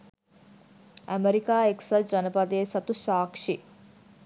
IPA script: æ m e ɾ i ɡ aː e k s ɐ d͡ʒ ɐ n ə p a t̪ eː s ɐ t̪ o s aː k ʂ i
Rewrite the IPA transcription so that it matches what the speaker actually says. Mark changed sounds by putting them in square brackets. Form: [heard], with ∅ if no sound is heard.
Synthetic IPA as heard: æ m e ɾ i [k] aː e k s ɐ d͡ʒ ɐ n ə p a [d̪] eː s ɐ t̪ [u] s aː k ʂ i